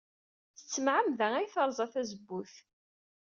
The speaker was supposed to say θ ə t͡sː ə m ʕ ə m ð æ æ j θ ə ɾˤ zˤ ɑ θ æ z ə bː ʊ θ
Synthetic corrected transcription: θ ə t͡sː ə m ʕ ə m ð æ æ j θ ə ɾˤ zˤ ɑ θ æ z ə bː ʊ θ